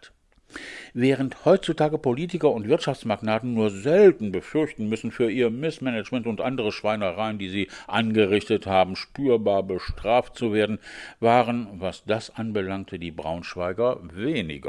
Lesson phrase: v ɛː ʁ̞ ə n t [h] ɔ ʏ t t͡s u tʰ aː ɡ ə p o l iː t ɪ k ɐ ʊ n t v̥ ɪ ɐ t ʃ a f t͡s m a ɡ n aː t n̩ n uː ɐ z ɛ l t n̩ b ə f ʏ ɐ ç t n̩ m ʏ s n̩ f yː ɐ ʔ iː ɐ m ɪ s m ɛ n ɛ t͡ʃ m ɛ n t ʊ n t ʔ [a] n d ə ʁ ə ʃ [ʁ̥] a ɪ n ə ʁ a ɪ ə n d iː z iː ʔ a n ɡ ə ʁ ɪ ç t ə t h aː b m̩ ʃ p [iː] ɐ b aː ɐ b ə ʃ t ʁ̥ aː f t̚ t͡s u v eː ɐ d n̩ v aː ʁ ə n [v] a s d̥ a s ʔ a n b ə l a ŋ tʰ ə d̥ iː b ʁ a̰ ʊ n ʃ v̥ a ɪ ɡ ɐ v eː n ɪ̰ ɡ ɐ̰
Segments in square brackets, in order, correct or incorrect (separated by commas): correct, correct, incorrect, incorrect, correct